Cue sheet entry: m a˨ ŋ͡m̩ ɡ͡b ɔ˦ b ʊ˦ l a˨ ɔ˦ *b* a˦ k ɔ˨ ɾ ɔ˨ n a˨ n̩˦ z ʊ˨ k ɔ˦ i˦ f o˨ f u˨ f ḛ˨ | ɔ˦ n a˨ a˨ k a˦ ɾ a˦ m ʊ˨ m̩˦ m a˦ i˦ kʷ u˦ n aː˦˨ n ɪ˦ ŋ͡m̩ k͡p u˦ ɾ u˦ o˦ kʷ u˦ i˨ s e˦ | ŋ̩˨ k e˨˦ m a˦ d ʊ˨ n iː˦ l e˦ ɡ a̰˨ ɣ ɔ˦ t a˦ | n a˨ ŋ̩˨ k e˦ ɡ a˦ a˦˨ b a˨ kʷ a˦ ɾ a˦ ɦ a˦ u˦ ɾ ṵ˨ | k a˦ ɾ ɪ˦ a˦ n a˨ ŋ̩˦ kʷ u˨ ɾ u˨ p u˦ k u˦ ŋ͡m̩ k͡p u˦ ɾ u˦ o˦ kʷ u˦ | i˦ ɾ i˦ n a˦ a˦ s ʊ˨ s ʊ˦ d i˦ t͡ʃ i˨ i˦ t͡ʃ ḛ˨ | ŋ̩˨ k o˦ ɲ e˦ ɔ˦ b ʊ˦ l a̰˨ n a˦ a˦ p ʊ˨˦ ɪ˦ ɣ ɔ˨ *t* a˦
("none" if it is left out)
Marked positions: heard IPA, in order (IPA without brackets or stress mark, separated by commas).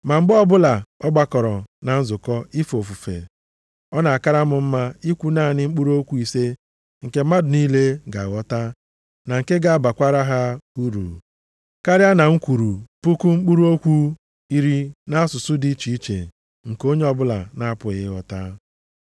ɡ͡b, t